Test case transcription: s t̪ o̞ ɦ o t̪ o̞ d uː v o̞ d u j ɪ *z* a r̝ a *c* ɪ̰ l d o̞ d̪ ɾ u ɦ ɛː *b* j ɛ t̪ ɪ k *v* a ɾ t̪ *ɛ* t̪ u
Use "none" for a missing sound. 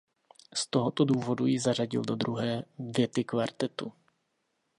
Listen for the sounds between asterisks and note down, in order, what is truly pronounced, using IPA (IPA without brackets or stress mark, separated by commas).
z, ɟ, v, v, ɛ